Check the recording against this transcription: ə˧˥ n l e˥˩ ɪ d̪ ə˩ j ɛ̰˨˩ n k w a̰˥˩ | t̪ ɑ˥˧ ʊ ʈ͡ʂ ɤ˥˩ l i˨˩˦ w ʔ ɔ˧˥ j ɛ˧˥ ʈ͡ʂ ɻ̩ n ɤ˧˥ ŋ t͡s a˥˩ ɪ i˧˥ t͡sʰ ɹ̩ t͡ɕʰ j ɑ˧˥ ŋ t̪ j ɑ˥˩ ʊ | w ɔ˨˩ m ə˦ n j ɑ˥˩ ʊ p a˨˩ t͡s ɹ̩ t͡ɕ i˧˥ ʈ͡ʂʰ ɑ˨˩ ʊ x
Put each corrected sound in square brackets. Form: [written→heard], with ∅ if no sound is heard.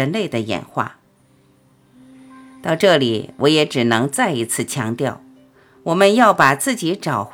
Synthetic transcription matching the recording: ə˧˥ n l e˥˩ ɪ d̪ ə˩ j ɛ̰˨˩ n [k→x] w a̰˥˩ | t̪ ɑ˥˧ ʊ ʈ͡ʂ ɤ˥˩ l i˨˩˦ w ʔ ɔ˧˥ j ɛ˧˥ ʈ͡ʂ ɻ̩ n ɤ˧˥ ŋ t͡s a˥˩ ɪ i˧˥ t͡sʰ ɹ̩ t͡ɕʰ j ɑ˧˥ ŋ t̪ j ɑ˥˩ ʊ | w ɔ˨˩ m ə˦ n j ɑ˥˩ ʊ p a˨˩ t͡s ɹ̩ t͡ɕ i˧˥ [ʈ͡ʂʰ→ʈ͡ʂ] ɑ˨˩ ʊ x